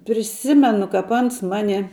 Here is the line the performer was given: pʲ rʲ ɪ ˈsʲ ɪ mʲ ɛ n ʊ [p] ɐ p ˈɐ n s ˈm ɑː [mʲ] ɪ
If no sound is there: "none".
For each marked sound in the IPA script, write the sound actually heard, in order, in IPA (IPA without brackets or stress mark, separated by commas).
k, nʲ